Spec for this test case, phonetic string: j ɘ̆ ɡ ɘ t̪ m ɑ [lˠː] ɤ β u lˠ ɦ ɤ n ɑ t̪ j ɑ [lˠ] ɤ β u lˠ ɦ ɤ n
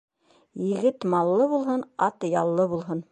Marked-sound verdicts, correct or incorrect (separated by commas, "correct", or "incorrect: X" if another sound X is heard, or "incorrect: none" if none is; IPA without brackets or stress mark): correct, incorrect: lˠː